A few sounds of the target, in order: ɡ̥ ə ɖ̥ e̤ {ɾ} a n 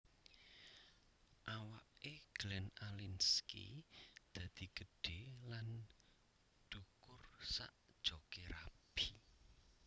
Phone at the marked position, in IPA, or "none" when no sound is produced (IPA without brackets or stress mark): l